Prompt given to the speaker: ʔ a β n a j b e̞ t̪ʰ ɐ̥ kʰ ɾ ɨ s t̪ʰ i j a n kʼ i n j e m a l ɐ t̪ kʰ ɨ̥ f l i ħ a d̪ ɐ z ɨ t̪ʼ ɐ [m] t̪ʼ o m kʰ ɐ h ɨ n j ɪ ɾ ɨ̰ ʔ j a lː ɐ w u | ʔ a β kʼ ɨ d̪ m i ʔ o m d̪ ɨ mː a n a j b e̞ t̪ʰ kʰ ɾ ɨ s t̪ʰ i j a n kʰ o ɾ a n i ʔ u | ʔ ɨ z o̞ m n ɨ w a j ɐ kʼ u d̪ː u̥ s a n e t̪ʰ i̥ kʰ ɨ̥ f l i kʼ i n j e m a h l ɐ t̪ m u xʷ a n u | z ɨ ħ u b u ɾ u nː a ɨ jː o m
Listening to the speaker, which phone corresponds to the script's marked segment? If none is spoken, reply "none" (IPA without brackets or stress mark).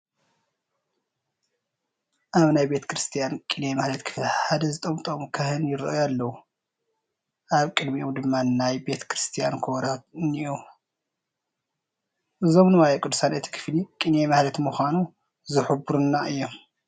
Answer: m